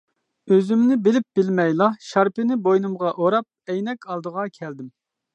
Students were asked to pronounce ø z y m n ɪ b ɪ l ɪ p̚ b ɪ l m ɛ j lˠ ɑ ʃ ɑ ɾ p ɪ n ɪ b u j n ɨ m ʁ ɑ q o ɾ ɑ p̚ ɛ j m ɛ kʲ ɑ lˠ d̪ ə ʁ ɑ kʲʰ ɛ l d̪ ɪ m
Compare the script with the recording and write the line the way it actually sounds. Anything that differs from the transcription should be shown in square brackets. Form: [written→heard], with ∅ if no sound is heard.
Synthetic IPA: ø z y m n ɪ b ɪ l ɪ p̚ b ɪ l m ɛ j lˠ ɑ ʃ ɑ ɾ p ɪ n ɪ b [u→o] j n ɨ m ʁ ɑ [q→ʔ] o ɾ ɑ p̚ ɛ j [m→n] ɛ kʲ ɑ lˠ d̪ ə ʁ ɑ kʲʰ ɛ l d̪ ɪ m